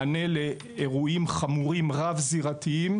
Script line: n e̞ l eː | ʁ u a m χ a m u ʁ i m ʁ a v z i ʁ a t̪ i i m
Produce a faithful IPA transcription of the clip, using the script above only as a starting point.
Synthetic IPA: n e̞ l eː | ʁ u i m χ a m u ʁ i m ʁ a v z i ʁ a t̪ i i m